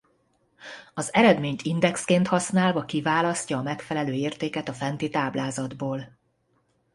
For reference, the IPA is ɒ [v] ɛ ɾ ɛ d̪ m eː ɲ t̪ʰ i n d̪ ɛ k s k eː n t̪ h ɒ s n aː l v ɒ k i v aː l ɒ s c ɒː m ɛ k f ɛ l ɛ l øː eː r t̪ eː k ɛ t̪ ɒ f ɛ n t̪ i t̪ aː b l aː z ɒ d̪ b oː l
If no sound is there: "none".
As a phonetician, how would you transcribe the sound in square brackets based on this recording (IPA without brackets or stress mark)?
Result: z